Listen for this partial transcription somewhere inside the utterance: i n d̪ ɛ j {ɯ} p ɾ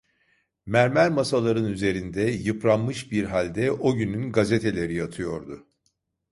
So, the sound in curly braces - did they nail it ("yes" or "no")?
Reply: yes